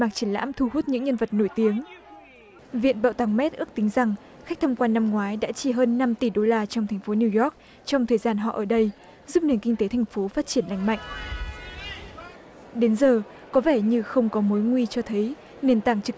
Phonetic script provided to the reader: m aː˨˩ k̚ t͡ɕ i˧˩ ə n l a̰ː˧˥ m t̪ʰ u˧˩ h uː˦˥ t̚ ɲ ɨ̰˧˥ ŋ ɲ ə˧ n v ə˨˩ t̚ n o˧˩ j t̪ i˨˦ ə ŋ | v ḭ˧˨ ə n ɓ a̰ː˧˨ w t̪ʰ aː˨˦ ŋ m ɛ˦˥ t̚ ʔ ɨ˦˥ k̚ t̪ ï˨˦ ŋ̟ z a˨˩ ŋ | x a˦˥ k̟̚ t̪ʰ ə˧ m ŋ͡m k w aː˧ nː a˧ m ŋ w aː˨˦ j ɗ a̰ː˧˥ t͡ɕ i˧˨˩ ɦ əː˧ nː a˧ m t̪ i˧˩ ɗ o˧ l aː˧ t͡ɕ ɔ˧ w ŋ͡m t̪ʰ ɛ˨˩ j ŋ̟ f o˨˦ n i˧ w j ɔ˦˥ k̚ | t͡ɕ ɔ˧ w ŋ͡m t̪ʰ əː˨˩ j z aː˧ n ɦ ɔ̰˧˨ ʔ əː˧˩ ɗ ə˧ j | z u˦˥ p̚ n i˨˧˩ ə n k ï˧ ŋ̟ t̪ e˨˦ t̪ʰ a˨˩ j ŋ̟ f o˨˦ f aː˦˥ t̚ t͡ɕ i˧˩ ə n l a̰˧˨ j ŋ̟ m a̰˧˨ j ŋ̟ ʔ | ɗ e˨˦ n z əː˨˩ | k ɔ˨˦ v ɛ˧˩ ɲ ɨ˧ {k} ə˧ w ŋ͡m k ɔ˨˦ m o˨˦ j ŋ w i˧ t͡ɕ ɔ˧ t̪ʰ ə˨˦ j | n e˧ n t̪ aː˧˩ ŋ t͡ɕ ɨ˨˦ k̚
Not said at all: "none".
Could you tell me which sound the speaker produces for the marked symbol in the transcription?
x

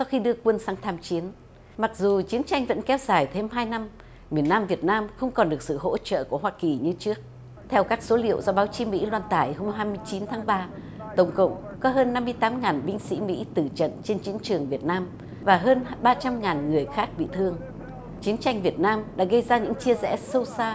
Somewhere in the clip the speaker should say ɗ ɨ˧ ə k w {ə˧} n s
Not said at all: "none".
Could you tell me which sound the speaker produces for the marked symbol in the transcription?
ə˧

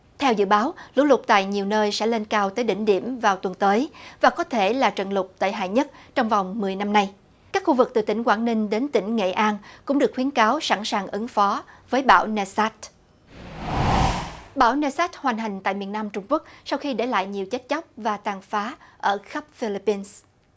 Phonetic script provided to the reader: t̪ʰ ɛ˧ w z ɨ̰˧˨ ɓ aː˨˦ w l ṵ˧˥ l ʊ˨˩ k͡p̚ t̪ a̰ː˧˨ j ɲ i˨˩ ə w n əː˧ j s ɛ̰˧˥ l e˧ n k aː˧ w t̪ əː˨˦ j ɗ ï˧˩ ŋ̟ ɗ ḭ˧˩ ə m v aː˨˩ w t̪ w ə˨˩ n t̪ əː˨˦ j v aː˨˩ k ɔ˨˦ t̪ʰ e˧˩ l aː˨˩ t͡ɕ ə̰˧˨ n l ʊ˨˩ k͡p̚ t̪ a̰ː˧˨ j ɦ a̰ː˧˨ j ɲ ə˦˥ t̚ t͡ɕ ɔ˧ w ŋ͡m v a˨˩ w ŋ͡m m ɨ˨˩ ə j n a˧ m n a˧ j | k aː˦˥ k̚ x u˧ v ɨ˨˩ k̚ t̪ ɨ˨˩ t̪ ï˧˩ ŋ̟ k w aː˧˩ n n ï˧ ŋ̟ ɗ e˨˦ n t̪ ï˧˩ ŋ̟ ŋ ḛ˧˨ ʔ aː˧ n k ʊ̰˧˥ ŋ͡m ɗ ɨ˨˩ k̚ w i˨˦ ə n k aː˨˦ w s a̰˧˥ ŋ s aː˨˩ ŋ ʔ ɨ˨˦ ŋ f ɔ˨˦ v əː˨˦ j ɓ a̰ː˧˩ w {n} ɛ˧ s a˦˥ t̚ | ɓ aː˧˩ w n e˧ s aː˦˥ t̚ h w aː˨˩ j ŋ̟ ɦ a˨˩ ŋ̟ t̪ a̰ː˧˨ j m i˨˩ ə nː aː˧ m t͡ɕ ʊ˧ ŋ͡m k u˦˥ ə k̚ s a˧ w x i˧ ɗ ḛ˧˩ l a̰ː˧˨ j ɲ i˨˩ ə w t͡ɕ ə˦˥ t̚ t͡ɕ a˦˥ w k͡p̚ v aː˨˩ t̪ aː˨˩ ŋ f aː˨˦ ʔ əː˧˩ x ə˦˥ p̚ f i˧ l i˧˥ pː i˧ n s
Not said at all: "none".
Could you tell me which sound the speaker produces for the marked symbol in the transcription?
n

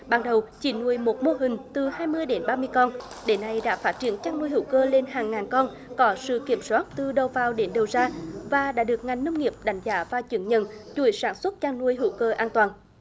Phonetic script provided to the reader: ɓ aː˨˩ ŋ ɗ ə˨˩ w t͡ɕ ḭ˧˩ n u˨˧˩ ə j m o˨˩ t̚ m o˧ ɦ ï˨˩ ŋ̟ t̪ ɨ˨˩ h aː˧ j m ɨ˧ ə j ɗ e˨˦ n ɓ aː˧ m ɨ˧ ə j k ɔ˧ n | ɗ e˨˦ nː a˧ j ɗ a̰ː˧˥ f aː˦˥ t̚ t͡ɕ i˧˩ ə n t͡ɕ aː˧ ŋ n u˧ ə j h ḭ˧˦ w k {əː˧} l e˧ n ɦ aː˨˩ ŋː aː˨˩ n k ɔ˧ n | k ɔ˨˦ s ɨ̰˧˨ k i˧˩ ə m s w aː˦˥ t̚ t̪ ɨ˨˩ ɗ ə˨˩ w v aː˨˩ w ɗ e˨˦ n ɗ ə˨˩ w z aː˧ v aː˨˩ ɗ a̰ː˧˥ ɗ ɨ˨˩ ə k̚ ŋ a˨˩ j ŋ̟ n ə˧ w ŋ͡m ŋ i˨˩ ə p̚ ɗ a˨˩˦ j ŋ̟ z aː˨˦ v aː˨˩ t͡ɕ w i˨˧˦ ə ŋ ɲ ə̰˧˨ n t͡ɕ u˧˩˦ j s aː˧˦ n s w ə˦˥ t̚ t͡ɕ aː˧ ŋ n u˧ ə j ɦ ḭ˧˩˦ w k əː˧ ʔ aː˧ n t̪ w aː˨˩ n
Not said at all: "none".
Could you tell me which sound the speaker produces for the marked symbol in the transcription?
əː˧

